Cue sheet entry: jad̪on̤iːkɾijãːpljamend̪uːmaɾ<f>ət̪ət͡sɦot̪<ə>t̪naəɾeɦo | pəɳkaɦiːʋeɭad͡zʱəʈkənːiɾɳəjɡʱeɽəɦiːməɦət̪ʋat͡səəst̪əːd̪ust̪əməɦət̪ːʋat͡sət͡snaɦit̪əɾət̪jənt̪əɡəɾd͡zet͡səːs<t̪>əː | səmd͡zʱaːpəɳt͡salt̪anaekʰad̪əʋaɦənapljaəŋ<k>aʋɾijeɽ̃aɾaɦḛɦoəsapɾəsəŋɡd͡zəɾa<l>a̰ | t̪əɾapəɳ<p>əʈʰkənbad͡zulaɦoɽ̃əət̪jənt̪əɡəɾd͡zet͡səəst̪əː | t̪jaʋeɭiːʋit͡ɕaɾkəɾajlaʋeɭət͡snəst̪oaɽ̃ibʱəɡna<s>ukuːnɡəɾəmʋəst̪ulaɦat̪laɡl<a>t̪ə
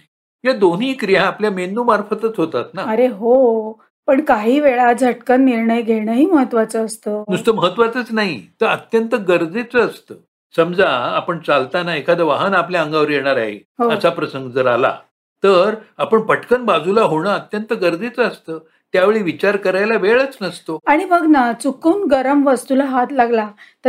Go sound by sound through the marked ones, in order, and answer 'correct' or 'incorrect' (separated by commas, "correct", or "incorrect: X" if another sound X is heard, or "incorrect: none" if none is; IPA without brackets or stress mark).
correct, incorrect: a, correct, incorrect: ɡ, correct, correct, incorrect: t͡s, correct